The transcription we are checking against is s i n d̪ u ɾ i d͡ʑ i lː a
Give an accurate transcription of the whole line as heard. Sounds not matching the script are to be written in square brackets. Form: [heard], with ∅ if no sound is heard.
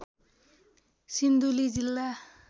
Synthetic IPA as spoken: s i n d̪ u [l] i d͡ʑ i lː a